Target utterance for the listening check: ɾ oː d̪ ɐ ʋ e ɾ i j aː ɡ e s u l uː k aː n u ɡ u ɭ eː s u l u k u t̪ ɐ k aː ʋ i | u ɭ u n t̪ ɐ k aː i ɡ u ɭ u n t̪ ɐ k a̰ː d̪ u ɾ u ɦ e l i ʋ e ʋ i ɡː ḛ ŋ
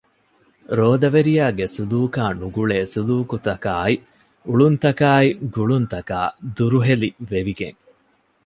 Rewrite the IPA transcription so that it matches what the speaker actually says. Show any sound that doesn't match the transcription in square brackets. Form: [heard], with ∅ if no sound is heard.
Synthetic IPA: ɾ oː d̪ ɐ ʋ e ɾ i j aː ɡ e s u l uː k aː n u ɡ u ɭ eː s u l [uː] k u t̪ ɐ k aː [∅] i | u ɭ u n t̪ ɐ k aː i ɡ u ɭ u n t̪ ɐ k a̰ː d̪ u ɾ u ɦ e l i ʋ e ʋ i [ɡ] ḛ ŋ